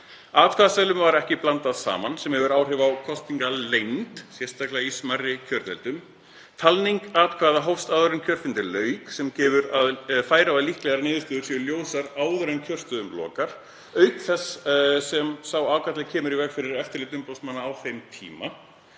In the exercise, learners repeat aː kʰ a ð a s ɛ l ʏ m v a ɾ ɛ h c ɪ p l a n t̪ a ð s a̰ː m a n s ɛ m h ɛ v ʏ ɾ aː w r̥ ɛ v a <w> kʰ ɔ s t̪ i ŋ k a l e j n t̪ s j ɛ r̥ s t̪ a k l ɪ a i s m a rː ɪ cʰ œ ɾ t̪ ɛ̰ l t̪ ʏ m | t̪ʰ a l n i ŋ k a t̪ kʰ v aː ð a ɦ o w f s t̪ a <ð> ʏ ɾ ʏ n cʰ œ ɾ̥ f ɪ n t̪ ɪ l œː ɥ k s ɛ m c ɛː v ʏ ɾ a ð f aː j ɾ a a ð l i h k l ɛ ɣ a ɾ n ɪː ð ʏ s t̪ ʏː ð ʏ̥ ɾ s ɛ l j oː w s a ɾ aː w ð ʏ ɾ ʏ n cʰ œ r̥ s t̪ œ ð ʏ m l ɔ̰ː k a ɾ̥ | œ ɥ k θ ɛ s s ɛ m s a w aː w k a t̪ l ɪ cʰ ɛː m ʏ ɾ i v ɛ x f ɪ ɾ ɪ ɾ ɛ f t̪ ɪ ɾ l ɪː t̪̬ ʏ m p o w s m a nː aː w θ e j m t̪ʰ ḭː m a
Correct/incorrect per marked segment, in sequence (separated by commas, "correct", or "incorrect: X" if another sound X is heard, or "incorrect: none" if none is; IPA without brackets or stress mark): correct, correct